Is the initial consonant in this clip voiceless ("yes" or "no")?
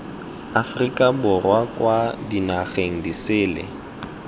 yes